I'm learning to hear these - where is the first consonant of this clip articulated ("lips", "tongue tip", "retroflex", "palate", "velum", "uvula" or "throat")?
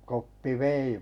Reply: velum